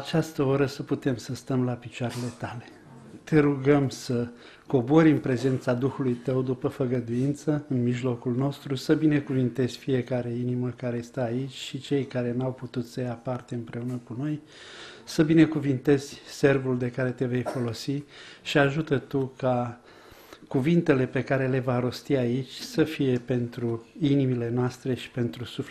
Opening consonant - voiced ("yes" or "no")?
no